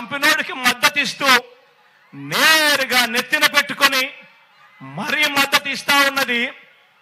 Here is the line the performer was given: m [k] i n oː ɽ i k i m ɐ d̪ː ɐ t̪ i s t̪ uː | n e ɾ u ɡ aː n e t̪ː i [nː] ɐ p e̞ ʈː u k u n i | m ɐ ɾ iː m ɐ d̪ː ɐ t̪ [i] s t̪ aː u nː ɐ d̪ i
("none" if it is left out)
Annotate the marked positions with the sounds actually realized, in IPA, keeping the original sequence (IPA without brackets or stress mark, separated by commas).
p, n, i